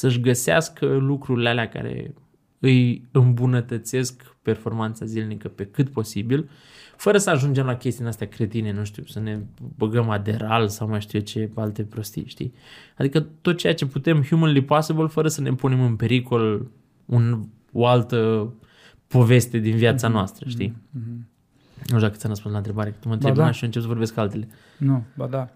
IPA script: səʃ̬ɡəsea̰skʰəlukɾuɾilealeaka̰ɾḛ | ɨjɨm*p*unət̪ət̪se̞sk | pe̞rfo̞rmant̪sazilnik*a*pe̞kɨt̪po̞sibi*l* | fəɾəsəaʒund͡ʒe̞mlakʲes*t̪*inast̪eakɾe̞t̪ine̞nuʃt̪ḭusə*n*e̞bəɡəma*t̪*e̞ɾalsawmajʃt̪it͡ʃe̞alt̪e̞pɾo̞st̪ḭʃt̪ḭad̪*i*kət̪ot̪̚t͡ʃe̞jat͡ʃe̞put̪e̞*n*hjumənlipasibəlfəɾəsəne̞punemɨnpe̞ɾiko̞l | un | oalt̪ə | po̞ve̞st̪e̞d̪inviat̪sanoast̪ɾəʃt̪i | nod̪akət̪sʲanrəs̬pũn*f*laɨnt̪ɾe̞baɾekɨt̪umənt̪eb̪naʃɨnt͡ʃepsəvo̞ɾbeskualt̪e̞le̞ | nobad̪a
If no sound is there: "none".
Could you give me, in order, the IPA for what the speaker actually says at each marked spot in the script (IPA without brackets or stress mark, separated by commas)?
b, ə, l, t̪, n, d̪, i, m, s